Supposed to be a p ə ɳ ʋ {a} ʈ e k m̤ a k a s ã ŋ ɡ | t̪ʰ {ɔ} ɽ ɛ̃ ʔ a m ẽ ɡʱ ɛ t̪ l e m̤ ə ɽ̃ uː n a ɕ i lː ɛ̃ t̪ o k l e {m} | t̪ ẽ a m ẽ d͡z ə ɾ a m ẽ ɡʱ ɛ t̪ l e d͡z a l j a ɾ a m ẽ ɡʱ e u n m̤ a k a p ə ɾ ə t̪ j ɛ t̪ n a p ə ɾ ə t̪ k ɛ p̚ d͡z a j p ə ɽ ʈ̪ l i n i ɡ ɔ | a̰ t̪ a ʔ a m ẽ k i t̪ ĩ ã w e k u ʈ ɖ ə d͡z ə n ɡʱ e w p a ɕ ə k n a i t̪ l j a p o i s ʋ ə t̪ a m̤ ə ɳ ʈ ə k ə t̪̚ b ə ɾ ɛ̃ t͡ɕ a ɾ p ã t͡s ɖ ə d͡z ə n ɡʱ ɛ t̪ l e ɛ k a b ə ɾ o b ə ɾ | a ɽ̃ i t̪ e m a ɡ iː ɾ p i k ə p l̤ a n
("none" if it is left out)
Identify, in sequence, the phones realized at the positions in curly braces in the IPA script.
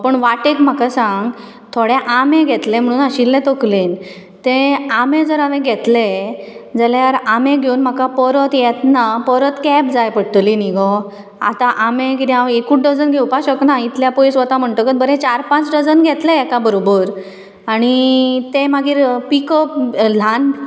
a, o, n

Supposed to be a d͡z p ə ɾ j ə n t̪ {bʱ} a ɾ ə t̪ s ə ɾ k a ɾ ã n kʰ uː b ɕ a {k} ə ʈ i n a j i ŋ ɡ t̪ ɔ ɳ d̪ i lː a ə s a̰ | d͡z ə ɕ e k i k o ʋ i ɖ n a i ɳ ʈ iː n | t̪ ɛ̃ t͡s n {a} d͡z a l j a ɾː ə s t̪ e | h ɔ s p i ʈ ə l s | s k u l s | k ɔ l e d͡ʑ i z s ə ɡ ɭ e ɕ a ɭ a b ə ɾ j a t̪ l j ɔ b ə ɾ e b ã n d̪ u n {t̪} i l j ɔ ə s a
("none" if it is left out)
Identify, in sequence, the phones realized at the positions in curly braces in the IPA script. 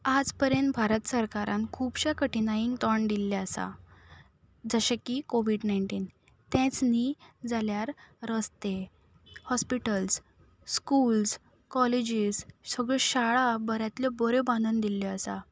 bʱ, k, i, d̪

